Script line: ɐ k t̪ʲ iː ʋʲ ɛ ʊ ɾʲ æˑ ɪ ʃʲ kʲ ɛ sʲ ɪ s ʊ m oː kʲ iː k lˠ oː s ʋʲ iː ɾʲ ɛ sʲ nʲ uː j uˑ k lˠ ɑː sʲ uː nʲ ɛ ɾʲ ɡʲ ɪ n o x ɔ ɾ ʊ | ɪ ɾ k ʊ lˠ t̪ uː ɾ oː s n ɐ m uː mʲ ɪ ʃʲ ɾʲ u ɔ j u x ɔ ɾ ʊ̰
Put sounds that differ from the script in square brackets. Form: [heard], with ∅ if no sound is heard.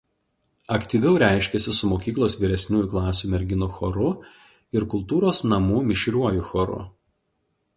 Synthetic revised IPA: ɐ k t̪ʲ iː ʋʲ ɛ ʊ ɾʲ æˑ ɪ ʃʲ kʲ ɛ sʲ ɪ s ʊ m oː kʲ iː k lˠ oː s ʋʲ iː ɾʲ ɛ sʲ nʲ uː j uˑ k lˠ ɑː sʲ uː [mʲ] ɛ ɾʲ ɡʲ ɪ n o x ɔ ɾ ʊ | ɪ ɾ k ʊ lˠ t̪ uː ɾ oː s n ɐ m uː mʲ ɪ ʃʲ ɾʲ u ɔ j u x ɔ ɾ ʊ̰